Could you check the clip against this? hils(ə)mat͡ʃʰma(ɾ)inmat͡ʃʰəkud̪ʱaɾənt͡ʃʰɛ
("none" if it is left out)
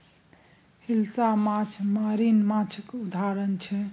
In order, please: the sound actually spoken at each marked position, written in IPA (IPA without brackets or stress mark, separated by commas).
a, ɾ